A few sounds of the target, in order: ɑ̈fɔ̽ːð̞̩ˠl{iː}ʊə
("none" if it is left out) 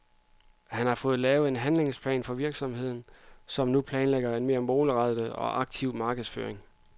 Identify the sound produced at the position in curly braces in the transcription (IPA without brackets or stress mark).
ɛː